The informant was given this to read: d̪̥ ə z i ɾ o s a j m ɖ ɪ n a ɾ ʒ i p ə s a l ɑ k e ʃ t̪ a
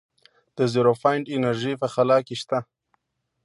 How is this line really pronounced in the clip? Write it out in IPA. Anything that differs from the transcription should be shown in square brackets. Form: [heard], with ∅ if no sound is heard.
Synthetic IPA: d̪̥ ə z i ɾ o [f] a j [ɳ] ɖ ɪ n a ɾ ʒ i p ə [x] a l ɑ k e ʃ t̪ a